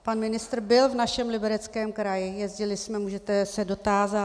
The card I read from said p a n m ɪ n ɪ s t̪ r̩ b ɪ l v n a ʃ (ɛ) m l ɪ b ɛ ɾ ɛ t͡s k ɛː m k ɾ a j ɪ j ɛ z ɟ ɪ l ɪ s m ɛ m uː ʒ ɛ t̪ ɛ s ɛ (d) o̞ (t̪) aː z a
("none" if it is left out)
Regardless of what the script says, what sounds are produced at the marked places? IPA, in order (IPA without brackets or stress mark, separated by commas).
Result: ɛ, d, t̪